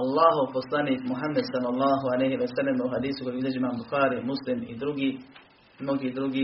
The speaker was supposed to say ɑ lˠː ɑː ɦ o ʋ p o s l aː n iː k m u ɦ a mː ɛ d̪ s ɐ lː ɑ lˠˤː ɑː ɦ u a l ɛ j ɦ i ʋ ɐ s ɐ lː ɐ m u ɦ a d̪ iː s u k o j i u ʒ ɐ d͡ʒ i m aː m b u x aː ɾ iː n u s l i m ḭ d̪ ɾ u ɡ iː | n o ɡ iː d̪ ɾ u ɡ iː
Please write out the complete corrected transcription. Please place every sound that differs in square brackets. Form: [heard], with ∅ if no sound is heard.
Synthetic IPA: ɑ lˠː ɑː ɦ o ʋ p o s l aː n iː k m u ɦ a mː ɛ d̪ s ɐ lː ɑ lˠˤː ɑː ɦ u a l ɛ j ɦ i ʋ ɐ s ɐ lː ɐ m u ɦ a d̪ iː s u k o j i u [z] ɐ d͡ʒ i m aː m b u x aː ɾ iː [m] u s l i m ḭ d̪ ɾ u ɡ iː | n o ɡ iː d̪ ɾ u ɡ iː